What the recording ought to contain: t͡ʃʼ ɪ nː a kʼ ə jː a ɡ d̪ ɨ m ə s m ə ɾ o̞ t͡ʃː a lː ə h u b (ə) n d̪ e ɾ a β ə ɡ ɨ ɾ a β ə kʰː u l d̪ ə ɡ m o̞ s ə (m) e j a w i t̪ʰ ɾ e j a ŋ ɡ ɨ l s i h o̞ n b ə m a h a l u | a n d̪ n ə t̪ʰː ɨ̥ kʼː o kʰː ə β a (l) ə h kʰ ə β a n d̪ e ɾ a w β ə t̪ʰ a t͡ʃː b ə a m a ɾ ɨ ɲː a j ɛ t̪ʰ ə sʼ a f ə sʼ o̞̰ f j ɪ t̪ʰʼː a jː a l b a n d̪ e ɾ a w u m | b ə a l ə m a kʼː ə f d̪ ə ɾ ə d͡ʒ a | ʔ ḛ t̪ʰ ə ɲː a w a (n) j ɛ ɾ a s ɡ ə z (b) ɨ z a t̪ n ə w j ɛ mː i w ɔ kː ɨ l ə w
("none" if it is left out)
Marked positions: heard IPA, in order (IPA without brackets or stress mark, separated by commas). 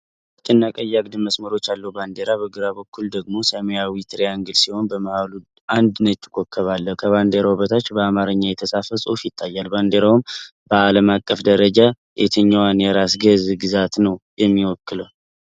a, m, lː, n, ɡ